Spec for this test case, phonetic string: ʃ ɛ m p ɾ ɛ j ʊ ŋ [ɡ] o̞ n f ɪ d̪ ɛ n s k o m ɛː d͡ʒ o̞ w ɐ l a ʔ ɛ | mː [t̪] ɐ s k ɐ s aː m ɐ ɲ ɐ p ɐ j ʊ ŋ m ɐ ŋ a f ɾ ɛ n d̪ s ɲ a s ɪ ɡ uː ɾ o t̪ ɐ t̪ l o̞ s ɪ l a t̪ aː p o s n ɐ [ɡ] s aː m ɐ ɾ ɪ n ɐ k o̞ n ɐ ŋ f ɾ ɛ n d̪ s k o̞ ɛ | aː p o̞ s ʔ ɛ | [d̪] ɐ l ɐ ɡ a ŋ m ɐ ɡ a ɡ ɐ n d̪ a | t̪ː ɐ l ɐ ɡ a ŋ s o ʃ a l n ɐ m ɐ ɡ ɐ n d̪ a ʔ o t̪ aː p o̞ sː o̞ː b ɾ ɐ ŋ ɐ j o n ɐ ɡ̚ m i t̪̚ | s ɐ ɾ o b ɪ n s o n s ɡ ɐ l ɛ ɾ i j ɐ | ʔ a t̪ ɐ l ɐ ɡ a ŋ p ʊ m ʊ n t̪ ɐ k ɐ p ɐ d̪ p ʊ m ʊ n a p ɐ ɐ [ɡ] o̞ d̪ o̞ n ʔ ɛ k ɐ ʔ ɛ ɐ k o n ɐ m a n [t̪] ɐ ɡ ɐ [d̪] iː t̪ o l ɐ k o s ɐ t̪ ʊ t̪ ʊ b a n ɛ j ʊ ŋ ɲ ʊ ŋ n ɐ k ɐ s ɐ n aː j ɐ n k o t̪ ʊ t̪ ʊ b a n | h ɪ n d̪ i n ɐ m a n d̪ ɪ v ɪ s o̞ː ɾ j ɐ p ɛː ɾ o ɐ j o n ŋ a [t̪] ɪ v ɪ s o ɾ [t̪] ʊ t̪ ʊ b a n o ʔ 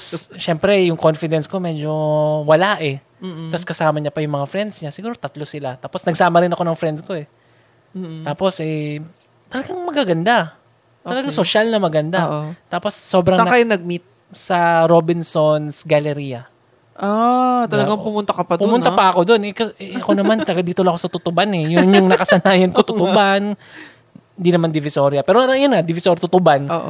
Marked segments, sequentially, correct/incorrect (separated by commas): incorrect, correct, correct, incorrect, incorrect, correct, correct, incorrect, correct